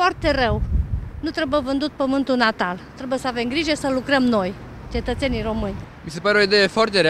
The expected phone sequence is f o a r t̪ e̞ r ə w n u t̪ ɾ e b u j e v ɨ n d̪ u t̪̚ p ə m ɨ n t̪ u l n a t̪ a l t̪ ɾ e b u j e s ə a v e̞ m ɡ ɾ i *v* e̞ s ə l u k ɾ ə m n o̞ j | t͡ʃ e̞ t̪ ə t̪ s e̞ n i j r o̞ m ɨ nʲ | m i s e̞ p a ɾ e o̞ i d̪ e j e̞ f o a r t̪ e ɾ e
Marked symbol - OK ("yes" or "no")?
no